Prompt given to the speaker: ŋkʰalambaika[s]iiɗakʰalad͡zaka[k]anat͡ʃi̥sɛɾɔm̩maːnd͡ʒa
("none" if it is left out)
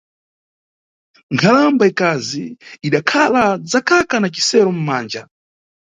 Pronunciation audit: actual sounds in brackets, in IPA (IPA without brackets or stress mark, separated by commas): z, k